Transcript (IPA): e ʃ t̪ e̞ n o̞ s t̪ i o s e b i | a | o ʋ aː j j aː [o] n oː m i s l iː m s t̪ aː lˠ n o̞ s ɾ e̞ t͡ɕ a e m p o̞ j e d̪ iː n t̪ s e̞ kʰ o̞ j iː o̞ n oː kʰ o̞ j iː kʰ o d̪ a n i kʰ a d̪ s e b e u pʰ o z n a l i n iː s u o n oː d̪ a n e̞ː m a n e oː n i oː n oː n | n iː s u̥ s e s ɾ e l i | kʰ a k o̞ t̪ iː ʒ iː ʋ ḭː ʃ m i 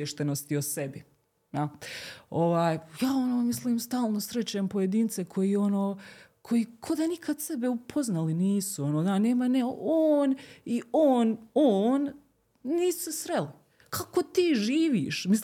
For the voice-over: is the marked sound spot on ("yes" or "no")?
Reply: yes